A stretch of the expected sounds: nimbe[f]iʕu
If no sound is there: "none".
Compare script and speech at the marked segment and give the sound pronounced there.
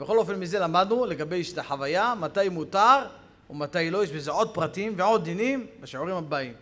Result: ʃ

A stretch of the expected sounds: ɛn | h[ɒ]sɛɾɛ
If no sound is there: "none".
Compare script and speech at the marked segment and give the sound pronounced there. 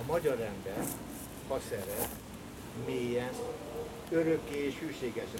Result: ɒ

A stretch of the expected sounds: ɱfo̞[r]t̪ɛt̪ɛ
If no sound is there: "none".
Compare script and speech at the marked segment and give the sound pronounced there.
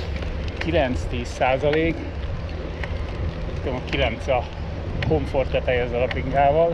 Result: r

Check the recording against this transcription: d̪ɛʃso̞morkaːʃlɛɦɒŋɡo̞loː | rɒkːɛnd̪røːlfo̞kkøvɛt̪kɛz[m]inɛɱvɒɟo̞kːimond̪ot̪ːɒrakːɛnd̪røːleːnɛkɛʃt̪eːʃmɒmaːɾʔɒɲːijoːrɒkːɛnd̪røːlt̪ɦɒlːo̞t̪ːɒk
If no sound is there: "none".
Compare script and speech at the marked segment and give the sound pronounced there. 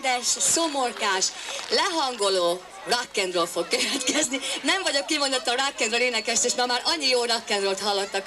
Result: n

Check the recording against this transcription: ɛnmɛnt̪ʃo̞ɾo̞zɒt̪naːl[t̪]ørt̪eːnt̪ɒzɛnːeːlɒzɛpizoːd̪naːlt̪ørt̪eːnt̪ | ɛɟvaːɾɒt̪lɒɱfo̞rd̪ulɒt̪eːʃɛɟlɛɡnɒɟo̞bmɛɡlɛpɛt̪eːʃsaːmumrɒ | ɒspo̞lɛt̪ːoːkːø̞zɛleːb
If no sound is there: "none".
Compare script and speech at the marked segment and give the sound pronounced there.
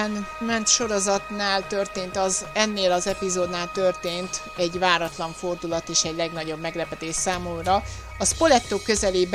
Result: t̪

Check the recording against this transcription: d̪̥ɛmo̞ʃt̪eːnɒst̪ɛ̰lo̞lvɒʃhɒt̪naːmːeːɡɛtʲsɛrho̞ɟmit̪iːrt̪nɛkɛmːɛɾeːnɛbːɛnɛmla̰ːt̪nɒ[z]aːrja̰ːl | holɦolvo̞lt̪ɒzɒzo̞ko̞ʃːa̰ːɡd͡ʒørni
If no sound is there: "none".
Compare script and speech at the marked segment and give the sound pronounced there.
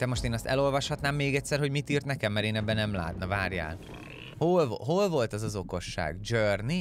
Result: v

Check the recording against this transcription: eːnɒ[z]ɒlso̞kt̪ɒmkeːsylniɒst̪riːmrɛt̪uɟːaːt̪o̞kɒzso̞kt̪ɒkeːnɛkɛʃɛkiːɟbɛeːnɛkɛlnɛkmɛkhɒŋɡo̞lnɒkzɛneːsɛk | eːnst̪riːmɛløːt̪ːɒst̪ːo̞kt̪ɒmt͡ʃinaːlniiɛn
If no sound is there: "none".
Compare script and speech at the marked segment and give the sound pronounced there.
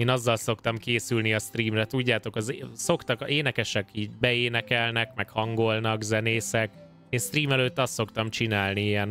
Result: zː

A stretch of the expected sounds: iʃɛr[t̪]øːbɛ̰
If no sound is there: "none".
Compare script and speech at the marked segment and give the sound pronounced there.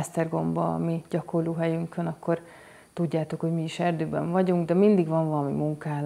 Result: d̪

